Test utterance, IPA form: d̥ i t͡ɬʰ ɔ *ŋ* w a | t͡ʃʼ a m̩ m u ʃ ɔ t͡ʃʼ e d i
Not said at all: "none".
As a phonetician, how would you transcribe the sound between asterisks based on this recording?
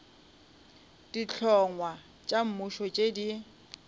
ŋ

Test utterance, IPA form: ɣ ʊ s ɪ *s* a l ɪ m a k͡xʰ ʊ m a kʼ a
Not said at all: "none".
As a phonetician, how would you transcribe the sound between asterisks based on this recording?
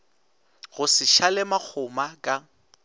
ʃ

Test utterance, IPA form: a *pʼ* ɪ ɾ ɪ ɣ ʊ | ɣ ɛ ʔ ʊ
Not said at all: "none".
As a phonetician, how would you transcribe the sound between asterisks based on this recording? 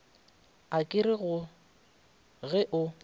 kʼ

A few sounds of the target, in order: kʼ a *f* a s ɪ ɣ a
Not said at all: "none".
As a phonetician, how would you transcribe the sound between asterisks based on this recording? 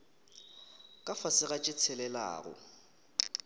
f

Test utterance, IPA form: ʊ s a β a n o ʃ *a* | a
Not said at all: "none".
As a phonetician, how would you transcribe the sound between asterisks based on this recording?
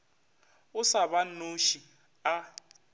i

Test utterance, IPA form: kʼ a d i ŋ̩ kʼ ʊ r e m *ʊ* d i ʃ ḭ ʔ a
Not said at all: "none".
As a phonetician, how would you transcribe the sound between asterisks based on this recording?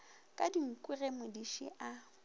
ʊ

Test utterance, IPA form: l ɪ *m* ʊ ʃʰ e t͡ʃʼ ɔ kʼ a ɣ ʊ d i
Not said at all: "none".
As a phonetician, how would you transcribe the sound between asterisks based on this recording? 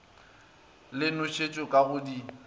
n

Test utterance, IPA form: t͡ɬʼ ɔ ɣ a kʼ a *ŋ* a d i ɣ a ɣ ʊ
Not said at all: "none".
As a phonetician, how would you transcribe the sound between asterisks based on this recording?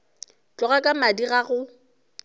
m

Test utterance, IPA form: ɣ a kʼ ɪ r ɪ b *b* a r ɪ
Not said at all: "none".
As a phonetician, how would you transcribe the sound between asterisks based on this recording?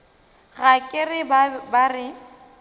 b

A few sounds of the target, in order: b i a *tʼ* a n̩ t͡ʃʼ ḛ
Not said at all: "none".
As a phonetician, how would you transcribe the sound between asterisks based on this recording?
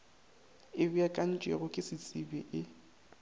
kʼ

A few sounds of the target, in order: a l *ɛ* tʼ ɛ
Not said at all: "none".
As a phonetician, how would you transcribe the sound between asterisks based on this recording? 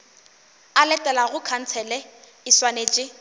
ɛ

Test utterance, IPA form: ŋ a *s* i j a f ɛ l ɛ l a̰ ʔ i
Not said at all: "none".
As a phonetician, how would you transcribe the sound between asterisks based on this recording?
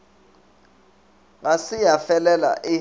s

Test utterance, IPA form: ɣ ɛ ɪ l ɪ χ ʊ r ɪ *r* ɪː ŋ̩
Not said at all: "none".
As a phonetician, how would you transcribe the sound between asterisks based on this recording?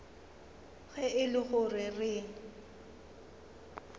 r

